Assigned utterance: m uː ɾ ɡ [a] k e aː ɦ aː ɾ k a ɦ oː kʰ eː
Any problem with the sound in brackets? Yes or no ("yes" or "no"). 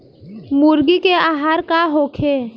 yes